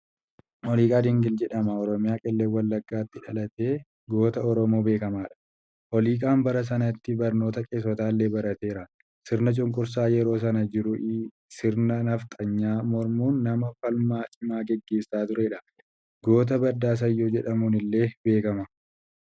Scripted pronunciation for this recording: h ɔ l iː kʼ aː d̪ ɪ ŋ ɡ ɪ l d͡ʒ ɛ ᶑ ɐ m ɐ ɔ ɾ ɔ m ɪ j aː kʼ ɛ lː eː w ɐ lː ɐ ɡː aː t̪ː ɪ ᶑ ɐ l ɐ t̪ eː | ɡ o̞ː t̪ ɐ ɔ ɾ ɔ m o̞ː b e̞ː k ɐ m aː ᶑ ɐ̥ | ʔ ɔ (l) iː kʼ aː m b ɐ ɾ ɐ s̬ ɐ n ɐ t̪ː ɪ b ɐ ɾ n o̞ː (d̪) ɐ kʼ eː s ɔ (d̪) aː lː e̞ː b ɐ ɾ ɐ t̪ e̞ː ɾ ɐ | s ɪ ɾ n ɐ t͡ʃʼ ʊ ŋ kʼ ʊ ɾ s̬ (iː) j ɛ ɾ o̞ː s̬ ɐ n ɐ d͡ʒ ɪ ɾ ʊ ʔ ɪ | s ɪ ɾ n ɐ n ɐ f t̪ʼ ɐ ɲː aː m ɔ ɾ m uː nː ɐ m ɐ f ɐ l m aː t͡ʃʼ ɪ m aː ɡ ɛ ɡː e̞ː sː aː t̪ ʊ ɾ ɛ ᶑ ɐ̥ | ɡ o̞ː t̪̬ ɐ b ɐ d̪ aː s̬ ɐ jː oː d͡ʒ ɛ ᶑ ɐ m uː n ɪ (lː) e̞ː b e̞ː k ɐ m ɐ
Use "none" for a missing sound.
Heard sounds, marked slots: l, t̪, t̪, aː, lː

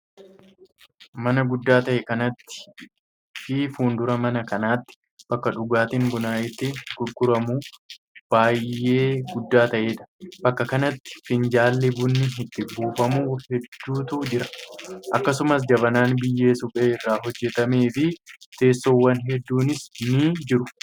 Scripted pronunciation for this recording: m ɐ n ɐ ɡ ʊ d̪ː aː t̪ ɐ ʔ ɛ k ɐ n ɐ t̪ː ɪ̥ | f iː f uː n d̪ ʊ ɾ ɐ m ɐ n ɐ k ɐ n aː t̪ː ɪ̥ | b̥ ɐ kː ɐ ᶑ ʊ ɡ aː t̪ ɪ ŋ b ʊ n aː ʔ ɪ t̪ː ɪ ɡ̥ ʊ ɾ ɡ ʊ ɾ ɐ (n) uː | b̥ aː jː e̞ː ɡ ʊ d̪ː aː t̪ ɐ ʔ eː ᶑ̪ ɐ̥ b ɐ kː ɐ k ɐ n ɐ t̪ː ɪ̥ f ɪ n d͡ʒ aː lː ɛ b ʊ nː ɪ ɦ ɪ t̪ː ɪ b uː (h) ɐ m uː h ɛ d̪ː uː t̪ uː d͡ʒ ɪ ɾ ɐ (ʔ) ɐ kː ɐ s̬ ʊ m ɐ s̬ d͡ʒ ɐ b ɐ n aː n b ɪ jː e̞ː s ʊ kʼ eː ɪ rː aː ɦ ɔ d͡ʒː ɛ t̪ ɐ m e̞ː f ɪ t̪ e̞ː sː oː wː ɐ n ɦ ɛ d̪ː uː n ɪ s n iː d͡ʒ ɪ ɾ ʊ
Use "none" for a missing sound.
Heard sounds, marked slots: m, f, ʔ

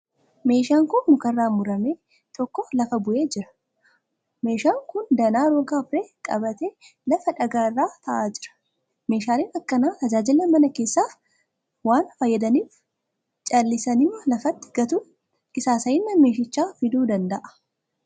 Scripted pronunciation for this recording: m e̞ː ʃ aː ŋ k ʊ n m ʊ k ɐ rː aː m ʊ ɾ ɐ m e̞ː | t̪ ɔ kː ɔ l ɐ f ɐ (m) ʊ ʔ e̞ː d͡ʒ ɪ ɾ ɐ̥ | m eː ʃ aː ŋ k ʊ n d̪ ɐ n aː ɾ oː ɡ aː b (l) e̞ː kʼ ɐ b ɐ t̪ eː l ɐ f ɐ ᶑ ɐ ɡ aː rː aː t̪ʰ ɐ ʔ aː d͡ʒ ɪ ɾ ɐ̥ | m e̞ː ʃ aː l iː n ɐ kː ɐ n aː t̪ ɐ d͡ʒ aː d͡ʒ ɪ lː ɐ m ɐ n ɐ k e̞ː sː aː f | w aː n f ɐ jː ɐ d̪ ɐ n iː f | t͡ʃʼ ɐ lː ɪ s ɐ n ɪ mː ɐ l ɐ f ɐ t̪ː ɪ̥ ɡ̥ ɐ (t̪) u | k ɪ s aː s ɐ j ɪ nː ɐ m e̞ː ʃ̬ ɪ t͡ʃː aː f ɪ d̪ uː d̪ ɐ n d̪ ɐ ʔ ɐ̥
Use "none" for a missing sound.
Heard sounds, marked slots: b, ɾ, t̪

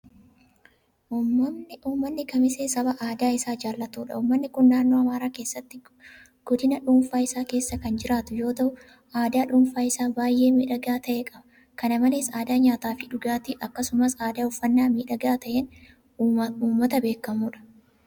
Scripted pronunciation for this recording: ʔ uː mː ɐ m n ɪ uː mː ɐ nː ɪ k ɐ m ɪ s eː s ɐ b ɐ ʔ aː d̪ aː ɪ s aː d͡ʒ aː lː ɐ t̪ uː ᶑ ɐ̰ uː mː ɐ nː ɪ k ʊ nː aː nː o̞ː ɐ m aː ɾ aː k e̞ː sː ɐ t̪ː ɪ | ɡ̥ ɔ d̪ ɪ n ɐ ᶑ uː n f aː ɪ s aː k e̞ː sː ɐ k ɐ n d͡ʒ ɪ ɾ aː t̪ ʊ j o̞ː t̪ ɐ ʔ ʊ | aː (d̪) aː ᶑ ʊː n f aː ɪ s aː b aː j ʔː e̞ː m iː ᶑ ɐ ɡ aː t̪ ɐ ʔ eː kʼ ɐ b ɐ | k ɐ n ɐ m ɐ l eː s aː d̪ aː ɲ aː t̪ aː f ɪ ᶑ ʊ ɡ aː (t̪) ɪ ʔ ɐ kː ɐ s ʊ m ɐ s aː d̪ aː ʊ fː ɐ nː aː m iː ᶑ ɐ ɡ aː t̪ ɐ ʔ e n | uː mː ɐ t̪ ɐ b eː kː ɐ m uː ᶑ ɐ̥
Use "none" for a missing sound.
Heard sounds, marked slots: d̪, t̪

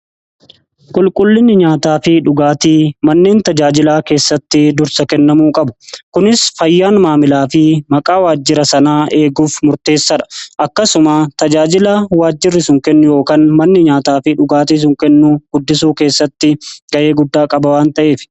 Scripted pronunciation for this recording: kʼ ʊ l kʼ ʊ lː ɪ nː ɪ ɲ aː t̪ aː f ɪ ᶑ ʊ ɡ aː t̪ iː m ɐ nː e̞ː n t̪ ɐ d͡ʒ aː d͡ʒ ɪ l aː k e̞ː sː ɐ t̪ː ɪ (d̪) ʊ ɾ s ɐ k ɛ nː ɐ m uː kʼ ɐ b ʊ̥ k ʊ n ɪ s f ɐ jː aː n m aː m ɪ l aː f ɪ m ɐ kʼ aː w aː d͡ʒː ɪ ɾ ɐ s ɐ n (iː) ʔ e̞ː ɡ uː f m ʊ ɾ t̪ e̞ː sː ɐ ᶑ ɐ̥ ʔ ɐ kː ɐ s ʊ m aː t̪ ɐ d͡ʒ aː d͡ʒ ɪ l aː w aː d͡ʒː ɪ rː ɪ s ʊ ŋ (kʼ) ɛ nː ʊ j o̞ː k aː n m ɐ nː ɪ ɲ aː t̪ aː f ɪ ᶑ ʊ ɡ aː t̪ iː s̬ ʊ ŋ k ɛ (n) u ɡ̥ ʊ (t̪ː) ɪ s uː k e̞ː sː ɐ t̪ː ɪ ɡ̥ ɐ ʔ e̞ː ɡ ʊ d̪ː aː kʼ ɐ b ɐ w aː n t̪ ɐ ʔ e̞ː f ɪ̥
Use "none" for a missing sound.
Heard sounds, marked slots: d̪, aː, k, nː, d̪ː

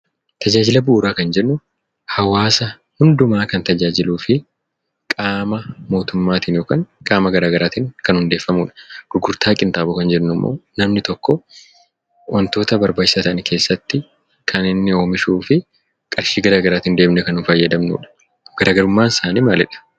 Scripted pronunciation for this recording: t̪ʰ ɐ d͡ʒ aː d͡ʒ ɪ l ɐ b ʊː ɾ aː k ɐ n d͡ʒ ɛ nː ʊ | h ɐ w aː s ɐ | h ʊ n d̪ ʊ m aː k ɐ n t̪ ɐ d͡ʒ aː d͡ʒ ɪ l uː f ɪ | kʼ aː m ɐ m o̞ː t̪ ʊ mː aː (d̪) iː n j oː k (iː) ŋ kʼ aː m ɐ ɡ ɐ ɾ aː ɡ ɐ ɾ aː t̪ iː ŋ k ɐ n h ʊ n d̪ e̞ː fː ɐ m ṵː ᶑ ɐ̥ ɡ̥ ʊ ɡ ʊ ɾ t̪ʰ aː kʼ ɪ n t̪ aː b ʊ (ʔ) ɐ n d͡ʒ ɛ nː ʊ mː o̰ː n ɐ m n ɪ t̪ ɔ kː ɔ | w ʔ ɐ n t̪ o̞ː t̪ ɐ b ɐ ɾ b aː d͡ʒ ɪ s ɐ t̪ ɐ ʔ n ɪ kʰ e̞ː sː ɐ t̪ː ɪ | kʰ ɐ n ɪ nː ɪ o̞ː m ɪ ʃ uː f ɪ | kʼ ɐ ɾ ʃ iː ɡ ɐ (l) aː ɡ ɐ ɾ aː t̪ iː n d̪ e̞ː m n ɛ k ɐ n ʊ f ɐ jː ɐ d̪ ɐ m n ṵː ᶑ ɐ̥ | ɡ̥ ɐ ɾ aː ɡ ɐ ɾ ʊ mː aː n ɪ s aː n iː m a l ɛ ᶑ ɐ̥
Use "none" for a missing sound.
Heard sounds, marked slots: t̪, aː, k, ɾ

